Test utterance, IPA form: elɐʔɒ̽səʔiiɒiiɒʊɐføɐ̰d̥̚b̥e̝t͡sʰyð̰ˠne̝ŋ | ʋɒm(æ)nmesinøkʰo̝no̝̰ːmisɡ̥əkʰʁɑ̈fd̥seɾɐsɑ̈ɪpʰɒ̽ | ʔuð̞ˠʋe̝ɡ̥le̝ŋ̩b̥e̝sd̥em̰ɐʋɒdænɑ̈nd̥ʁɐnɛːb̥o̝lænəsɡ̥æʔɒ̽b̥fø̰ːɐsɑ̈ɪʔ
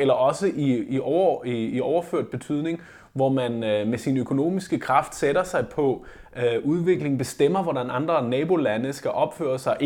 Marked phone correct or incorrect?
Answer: correct